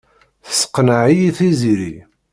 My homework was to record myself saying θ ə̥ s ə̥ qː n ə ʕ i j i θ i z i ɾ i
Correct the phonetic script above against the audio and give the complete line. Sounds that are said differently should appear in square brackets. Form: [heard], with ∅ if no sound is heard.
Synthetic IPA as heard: θ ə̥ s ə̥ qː n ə ʕ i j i θ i z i ɾ i